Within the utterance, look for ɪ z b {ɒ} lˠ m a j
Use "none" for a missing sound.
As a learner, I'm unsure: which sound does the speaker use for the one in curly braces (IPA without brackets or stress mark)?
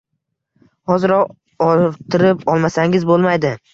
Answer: o